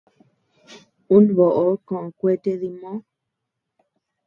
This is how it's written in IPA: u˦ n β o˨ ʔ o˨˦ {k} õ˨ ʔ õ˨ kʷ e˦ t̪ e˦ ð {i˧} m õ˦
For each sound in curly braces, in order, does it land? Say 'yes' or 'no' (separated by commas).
yes, yes